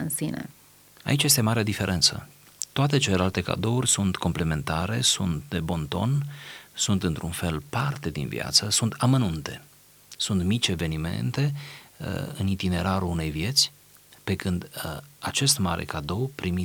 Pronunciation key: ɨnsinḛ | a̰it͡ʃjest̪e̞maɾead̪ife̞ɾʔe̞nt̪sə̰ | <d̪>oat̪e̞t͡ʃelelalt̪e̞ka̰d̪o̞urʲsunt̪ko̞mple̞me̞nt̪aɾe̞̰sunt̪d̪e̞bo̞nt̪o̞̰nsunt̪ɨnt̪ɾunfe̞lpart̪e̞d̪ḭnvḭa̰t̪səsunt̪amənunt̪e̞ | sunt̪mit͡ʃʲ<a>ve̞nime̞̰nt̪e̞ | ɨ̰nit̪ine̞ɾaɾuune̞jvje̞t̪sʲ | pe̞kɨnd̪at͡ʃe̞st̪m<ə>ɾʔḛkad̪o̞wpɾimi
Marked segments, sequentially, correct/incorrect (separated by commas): incorrect, incorrect, incorrect